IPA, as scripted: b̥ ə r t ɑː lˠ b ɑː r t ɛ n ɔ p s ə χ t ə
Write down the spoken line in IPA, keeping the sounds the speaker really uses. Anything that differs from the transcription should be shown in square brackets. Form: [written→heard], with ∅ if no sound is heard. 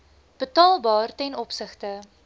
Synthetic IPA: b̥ ə [r→∅] t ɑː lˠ b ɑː r t ɛ n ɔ p s ə χ t ə